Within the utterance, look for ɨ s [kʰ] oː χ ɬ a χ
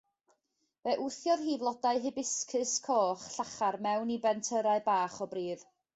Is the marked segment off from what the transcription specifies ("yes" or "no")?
no